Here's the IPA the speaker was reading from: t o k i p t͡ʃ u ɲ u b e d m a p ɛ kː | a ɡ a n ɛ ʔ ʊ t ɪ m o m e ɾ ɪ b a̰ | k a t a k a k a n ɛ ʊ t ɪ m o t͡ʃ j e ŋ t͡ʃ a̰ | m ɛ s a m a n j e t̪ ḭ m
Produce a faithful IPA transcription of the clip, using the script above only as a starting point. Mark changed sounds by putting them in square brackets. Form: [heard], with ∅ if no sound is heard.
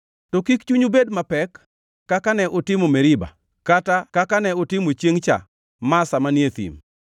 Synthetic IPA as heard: t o k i [k] t͡ʃ u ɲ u b e d m a p ɛ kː | a [k] a n ɛ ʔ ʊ t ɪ m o m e ɾ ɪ b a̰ | k a t a k a k a n ɛ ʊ t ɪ m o t͡ʃ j e ŋ t͡ʃ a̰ | m [a] s a m a n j e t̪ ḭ m

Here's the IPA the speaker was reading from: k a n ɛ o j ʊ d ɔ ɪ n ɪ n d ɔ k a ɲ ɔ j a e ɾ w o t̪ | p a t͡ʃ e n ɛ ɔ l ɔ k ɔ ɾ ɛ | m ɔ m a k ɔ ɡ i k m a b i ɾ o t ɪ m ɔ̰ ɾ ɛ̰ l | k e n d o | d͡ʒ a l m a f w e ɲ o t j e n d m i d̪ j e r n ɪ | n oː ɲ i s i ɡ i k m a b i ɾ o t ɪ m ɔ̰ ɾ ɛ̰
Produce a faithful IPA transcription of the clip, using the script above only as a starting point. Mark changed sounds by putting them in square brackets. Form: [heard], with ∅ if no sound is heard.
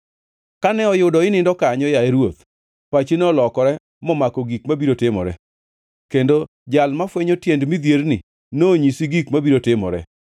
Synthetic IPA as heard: k a n ɛ [ɔ] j ʊ d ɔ ɪ n ɪ n d ɔ k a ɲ ɔ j a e ɾ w o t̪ | p a t͡ʃ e n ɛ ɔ l ɔ k ɔ ɾ ɛ | m ɔ m a k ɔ ɡ i k m a b i ɾ o t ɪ m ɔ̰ ɾ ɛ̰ [∅] | k e n d o | d͡ʒ a l m a f w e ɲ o t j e n d m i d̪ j e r n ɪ | n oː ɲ i s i ɡ i k m a b i ɾ o t ɪ m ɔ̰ ɾ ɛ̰

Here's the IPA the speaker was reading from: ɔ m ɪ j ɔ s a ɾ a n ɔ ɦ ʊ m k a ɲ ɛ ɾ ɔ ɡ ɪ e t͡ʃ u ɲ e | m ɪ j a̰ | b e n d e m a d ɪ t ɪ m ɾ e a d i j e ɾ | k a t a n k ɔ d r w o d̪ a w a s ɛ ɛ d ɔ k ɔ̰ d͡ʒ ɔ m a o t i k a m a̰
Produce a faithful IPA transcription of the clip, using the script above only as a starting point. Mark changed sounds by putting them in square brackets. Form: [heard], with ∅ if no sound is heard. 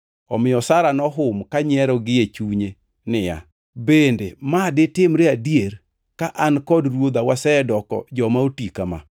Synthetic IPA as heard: ɔ m ɪ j ɔ s a ɾ a n ɔ ɦ ʊ m k a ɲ ɛ ɾ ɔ ɡ ɪ e t͡ʃ u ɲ e | [n] ɪ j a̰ | b e n d e m a d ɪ t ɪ m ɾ e a d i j e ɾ | k a [ʔ] a n k ɔ d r w o d̪ a w a s ɛ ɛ d ɔ k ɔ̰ d͡ʒ ɔ m a o t i k a m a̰

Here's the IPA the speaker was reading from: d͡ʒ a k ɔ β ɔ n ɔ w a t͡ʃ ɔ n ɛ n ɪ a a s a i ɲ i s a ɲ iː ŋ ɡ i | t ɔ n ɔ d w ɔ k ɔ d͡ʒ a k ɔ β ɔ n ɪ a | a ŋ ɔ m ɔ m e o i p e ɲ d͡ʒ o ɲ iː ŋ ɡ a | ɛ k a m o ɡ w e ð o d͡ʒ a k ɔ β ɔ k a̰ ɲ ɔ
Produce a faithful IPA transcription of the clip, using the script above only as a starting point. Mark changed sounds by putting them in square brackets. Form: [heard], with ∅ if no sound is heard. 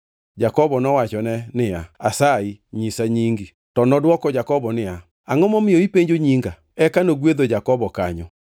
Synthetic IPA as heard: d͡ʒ a k ɔ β ɔ n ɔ w a t͡ʃ ɔ n ɛ n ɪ a a s a i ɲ i s a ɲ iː ŋ ɡ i | t ɔ n ɔ d w ɔ k ɔ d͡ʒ a k ɔ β ɔ n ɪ a | a ŋ ɔ m ɔ m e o i p e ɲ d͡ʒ o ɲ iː ŋ ɡ a | ɛ k a [n] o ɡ w e ð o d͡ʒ a k ɔ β ɔ k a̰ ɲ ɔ

